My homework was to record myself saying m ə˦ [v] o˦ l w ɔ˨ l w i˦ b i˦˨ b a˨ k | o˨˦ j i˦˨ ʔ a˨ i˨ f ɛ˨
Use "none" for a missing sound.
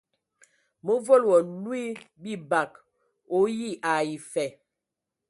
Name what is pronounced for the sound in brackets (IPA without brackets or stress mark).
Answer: v